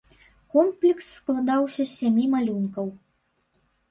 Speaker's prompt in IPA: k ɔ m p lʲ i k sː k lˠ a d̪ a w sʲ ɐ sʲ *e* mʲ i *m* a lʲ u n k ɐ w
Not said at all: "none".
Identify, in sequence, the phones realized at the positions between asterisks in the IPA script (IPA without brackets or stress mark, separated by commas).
a, m